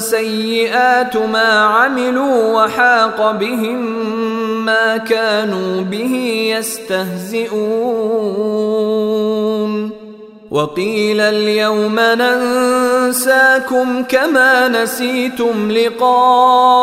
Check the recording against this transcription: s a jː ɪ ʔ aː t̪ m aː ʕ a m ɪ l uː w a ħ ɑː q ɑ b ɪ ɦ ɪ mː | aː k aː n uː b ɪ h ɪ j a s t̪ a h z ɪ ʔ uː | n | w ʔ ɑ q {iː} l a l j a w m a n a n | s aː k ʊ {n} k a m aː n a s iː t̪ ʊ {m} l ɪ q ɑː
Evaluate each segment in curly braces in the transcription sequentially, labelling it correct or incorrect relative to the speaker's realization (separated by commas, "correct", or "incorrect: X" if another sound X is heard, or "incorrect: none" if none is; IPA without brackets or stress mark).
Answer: correct, incorrect: m, correct